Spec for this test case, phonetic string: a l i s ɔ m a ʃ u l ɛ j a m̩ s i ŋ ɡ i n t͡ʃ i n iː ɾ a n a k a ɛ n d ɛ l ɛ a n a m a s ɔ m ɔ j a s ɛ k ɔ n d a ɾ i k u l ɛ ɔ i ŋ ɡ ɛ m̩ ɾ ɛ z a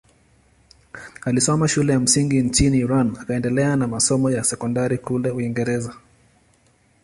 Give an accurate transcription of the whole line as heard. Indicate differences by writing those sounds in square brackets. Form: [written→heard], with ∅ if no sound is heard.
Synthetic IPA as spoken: a l i s ɔ m a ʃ u l ɛ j a m̩ s i ŋ ɡ i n t͡ʃ i n iː ɾ a n a k a ɛ n d ɛ l ɛ a n a m a s ɔ m ɔ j a s ɛ k ɔ n d a ɾ i k u l ɛ [ɔ→u] i ŋ ɡ ɛ [m̩→∅] ɾ ɛ z a